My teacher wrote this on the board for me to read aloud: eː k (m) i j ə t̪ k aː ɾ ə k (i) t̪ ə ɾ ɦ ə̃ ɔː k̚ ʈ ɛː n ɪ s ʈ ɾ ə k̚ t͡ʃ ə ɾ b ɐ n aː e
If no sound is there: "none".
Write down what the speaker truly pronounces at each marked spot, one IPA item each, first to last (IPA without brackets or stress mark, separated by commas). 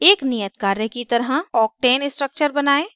n, i